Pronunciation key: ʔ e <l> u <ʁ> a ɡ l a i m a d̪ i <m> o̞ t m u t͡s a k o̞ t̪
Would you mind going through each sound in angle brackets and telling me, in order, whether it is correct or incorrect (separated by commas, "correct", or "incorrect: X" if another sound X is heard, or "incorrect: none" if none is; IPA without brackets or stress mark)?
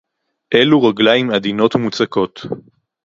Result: correct, correct, incorrect: n